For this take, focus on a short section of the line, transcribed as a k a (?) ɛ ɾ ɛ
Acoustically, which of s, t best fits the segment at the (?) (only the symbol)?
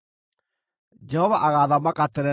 t